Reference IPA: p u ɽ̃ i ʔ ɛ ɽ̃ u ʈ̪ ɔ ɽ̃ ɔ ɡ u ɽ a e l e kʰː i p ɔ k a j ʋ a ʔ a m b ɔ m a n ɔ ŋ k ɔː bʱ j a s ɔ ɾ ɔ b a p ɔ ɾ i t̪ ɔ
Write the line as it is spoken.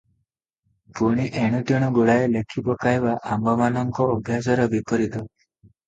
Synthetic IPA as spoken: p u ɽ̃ i ʔ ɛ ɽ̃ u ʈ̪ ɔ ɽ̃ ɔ ɡ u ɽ a e l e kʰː i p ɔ k a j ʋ a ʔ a m b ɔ m a n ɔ ŋ k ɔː bʱ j a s ɔ ɾ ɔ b i p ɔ ɾ i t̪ ɔ